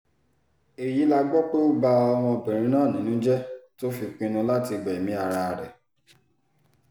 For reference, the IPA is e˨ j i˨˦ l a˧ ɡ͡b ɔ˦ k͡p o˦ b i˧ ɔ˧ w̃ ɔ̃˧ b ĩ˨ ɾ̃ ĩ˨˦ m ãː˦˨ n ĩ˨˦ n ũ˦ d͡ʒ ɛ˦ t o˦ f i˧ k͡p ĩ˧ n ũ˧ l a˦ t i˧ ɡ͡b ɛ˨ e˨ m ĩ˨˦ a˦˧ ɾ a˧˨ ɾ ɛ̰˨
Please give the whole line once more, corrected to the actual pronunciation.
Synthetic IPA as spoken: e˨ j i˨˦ l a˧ ɡ͡b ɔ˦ k͡p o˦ b a˧ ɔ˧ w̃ ɔ̃˧ b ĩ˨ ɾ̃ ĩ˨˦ n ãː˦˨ n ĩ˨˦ n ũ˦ d͡ʒ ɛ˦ t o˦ f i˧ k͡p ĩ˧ n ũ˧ l a˦ t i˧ ɡ͡b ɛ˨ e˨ m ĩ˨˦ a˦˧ ɾ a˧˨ ɾ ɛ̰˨